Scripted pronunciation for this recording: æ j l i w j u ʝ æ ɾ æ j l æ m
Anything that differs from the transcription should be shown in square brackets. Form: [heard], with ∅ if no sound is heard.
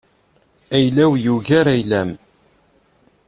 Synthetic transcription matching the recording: æ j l [æ] w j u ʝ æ ɾ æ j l æ m